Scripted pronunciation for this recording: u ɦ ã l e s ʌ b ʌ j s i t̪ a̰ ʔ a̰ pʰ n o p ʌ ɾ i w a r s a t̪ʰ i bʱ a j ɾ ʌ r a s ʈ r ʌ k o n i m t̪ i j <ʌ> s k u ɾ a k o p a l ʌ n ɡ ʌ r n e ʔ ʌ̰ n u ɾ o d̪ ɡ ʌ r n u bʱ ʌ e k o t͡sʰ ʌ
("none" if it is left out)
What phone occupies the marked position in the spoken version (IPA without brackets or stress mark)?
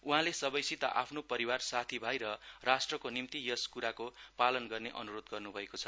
ʌ